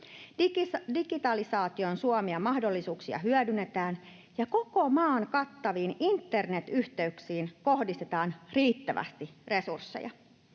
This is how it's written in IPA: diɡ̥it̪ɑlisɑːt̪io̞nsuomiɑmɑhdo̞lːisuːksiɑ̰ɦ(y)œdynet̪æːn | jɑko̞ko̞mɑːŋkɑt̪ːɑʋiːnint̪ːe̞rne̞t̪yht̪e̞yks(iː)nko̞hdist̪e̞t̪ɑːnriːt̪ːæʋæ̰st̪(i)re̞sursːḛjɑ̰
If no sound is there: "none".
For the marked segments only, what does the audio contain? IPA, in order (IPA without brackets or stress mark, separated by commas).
y, iː, i